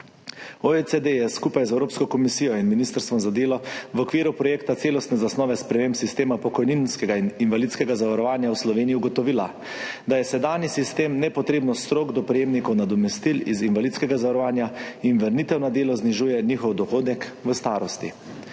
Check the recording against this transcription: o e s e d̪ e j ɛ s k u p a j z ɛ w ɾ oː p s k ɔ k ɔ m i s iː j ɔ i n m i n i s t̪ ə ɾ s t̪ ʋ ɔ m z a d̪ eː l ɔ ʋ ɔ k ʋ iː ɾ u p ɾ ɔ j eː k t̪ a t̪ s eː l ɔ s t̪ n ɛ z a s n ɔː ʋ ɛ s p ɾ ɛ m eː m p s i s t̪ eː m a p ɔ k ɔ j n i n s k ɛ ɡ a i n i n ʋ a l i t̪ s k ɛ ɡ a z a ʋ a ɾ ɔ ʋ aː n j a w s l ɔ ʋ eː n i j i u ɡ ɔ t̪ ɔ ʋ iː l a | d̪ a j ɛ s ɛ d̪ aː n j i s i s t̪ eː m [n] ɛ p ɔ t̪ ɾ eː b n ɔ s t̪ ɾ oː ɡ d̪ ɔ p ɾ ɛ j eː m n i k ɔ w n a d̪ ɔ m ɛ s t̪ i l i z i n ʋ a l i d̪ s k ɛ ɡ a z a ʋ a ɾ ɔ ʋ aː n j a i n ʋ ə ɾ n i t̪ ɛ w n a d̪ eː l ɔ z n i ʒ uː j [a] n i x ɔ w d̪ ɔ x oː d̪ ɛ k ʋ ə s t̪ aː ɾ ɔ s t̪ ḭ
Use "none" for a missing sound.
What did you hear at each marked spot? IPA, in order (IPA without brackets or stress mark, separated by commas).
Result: n, ɛ